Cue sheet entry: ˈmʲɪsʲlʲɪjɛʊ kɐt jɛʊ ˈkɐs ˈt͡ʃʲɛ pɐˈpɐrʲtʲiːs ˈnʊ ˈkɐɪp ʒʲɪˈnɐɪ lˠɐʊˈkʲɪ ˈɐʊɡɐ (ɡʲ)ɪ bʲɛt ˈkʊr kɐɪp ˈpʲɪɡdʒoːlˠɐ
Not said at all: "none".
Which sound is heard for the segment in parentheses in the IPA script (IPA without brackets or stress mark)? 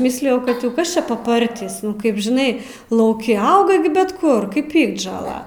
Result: ɡʲ